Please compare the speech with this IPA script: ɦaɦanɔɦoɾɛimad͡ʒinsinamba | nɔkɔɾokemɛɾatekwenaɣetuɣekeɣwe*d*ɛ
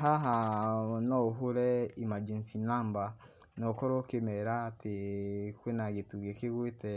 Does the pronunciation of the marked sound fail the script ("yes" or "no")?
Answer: yes